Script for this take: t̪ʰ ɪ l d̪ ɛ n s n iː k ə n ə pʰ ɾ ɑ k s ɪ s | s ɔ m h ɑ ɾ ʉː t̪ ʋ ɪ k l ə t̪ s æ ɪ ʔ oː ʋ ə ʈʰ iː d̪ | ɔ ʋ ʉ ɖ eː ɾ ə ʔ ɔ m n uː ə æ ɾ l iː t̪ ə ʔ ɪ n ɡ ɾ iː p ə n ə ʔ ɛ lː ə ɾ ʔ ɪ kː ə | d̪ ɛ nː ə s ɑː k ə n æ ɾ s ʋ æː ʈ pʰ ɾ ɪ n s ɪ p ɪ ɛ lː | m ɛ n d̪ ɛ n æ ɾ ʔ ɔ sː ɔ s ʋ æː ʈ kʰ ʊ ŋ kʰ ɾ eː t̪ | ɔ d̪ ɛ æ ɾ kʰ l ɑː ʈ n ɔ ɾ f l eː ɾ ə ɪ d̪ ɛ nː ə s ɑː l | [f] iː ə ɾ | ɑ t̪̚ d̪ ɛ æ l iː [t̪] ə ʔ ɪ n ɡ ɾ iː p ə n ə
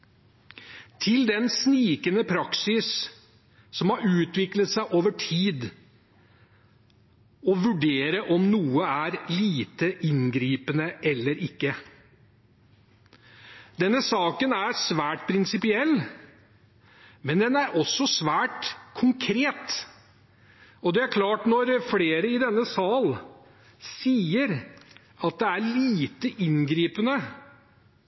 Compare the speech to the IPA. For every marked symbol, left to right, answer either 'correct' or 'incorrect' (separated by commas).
incorrect, correct